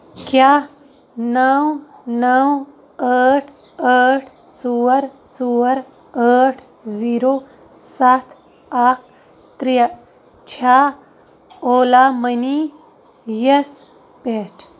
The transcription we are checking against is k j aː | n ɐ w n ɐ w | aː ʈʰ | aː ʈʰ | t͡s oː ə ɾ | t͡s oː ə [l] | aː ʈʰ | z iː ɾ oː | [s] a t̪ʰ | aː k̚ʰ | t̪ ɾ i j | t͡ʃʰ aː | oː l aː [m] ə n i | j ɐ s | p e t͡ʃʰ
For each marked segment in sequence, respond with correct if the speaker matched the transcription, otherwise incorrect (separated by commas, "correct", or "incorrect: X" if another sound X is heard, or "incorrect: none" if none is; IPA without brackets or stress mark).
incorrect: ɾ, correct, correct